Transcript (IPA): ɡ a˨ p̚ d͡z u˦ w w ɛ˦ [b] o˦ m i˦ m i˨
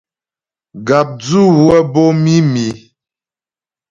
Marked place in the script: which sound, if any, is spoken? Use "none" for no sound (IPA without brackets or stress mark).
b